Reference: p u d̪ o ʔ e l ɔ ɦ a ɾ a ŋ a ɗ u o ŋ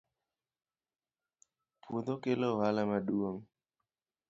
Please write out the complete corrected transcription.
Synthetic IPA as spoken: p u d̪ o k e l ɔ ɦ a l a m a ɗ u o ŋ

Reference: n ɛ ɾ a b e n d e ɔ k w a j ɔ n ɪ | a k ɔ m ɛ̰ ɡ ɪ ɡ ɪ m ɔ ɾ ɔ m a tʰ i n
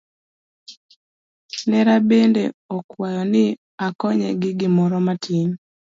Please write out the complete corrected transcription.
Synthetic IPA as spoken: n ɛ ɾ a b e n d e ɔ k w a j ɔ n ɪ | a k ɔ ɲ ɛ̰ ɡ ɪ ɡ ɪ m ɔ ɾ ɔ m a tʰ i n

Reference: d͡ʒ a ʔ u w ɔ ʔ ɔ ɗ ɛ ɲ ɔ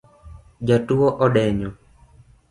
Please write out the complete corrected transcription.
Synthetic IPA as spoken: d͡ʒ a t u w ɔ ʔ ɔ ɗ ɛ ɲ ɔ

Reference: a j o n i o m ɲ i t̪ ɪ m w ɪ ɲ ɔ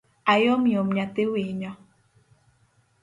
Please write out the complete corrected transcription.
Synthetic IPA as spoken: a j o m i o m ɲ a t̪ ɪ w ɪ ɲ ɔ

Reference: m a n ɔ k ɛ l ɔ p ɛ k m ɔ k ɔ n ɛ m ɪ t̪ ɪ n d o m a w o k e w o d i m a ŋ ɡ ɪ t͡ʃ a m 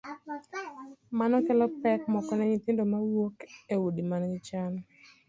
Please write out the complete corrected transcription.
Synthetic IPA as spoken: m a n ɔ k ɛ l ɔ p ɛ k m ɔ k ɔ n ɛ ɲ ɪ t̪ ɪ n d o m a w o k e w o d i m a n ɡ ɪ t͡ʃ a n

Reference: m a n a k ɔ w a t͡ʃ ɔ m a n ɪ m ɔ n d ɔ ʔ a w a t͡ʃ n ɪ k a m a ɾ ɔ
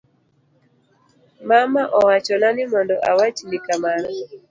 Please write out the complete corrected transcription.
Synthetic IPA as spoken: m a m a ʔ ɔ w a t͡ʃ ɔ n a n ɪ m ɔ n d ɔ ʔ a w a t͡ʃ n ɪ k a m a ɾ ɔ

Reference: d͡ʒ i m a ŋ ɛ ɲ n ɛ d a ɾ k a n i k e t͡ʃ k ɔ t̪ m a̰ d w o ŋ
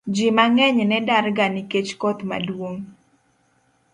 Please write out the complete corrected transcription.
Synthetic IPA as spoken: d͡ʒ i m a ŋ ɛ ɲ n ɛ d a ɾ ɡ a n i k e t͡ʃ k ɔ t̪ m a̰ d w o ŋ

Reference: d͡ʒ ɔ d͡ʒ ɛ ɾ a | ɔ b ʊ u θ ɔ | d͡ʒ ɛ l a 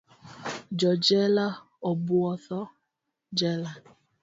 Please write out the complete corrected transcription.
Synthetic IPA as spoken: d͡ʒ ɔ d͡ʒ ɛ l a | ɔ b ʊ ɔ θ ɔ | d͡ʒ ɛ l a

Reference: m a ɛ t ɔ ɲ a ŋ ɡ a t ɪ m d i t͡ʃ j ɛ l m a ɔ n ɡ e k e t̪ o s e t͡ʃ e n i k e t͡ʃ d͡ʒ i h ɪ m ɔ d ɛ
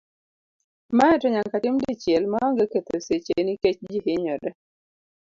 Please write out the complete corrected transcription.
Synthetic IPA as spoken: m a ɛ t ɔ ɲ a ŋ k a t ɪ m d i t͡ʃ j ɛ l m a ɔ ŋ ɡ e k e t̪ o s e t͡ʃ e n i k e t͡ʃ d͡ʒ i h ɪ ɲ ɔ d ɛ

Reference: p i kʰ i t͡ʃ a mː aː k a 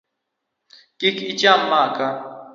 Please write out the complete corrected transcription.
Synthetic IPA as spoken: k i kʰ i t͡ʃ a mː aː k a

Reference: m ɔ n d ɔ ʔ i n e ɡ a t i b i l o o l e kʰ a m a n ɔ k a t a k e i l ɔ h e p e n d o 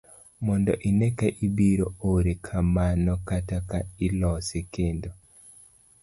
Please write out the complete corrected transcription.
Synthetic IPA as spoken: m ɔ n d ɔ ʔ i n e k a ʔ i b i ɾ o o ɾ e kʰ a m a n ɔ k a t a k a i l ɔ s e k e n d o

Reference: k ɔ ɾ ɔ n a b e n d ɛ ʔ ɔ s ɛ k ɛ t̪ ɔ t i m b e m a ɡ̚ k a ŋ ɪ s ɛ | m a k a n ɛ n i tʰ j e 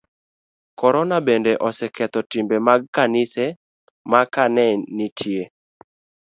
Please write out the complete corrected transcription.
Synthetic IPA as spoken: k ɔ ɾ ɔ n a b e n d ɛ ʔ ɔ s ɛ k ɛ t̪ ɔ t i m b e m a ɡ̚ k a n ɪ s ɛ | m a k a n ɛ n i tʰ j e

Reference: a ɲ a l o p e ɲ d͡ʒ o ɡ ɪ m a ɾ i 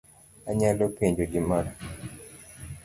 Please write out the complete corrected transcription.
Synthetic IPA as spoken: a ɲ a l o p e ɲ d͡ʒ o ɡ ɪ m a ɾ a

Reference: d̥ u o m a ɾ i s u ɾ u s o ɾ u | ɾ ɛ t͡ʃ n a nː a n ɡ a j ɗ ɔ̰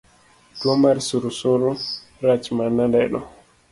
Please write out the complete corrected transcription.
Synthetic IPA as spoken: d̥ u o m a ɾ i s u ɾ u s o ɾ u | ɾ a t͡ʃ m a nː a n d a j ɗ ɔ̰

